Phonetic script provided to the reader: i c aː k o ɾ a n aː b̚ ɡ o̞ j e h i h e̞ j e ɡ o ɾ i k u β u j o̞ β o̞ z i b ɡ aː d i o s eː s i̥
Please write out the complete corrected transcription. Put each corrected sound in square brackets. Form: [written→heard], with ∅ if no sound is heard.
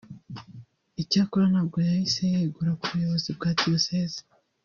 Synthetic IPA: i c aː k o ɾ a n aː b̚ ɡ o̞ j [e→a] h i [h→s] e̞ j e ɡ [o→u] ɾ [i→a] k u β u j o̞ β o̞ z i b ɡ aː d i o s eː [s→z] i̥